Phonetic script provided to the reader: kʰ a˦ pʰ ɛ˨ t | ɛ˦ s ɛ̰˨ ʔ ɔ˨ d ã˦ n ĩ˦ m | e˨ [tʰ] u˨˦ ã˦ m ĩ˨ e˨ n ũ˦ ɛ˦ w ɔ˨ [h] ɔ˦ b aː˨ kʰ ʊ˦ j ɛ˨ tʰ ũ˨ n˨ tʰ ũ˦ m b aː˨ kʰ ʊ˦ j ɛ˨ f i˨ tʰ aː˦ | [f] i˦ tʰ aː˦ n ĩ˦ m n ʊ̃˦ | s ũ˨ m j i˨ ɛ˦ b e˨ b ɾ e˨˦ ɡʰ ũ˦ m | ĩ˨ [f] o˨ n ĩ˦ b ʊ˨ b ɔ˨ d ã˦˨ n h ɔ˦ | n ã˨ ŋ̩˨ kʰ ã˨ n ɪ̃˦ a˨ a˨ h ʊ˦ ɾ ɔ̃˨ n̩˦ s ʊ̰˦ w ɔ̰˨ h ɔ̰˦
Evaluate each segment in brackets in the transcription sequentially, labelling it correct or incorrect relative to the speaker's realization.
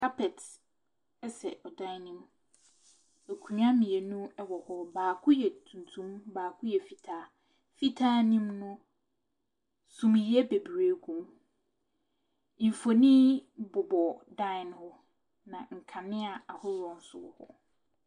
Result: incorrect: kʰ, correct, correct, correct

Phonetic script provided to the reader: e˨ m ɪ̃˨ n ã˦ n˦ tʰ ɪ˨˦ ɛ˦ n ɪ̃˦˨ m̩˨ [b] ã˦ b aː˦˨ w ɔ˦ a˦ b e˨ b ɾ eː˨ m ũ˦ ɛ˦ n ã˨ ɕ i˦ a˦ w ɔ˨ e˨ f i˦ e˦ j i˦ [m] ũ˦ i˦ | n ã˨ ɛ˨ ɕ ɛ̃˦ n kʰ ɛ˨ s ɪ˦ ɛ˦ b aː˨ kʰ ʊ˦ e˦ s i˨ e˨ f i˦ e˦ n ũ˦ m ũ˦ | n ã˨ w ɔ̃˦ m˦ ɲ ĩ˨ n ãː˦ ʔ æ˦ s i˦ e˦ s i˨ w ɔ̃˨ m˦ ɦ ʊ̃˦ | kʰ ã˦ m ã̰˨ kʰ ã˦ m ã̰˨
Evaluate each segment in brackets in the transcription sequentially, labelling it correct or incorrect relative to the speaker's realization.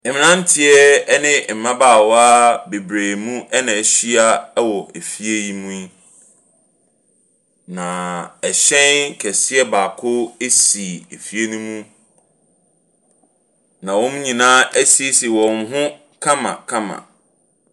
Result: incorrect: m, correct

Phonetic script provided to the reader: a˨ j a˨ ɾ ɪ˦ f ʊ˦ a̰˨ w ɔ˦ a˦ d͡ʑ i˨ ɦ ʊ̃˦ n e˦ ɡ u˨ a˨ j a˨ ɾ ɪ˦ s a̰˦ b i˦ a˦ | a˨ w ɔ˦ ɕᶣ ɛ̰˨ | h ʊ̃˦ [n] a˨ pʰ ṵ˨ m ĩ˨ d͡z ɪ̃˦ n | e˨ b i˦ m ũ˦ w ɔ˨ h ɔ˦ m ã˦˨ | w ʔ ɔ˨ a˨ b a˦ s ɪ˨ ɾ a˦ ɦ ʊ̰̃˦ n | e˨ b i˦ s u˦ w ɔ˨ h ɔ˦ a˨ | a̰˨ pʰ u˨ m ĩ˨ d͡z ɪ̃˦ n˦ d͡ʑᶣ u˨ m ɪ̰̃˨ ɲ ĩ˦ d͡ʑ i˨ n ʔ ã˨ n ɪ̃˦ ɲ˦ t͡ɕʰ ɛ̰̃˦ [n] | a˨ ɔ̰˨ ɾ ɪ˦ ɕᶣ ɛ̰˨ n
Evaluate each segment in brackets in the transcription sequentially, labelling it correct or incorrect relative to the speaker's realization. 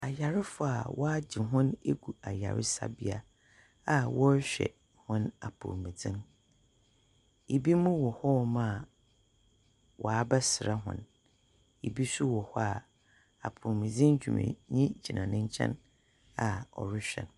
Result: correct, correct

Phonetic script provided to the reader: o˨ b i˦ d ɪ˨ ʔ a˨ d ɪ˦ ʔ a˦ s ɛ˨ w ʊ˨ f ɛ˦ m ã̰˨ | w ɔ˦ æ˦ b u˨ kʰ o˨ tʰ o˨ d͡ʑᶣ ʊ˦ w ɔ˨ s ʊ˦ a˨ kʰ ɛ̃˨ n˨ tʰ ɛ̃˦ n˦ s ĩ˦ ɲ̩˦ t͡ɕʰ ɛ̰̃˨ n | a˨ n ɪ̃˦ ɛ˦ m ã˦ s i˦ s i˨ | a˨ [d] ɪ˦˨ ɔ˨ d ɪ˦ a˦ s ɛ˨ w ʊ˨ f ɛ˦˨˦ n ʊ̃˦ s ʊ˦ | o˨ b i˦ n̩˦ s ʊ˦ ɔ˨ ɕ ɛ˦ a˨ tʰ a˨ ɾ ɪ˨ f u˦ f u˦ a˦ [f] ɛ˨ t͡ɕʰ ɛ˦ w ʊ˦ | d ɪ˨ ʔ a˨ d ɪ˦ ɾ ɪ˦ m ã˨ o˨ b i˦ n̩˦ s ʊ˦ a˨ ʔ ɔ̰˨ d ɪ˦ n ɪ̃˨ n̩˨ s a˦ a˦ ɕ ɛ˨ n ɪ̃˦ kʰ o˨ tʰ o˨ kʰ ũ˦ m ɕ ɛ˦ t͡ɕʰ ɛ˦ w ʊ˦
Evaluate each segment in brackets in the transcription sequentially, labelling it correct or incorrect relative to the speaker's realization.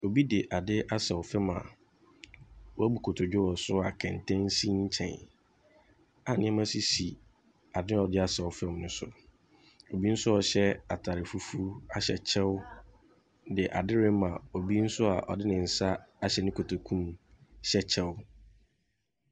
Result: correct, incorrect: ɕ

